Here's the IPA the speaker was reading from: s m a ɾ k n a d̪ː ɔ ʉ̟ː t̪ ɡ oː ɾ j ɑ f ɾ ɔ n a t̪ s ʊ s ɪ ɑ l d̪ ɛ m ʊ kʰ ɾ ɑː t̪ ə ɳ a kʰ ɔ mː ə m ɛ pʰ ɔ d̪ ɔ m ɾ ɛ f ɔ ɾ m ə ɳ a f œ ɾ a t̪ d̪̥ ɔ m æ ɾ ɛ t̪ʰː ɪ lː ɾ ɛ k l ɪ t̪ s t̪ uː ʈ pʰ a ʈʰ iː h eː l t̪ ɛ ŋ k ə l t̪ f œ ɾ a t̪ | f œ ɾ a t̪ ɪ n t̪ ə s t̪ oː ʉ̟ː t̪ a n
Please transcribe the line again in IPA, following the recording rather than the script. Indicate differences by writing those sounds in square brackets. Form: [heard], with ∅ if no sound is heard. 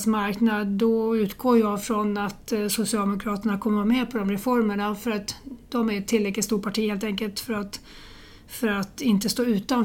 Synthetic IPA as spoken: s m a ɾ k n a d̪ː ɔ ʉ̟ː t̪ ɡ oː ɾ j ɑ f ɾ ɔ n a t̪ s ʊ s ɪ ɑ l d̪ ɛ m ʊ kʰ ɾ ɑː t̪ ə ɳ a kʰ ɔ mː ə m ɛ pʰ ɔ d̪ ɔ m ɾ ɛ f ɔ ɾ m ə ɳ a f œ ɾ a t̪ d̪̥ ɔ m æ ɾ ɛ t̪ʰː ɪ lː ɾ ɛ k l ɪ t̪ s t̪ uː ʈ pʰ a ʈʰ iː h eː l t̪ ɛ ŋ k ə l t̪ f œ ɾ a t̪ | f œ ɾ a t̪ ɪ n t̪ ə s t̪ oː ʉ̟ː t̪ a n